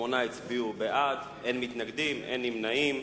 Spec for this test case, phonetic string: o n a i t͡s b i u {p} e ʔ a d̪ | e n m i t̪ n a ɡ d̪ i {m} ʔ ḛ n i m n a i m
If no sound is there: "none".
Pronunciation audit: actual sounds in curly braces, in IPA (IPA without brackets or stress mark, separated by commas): b, m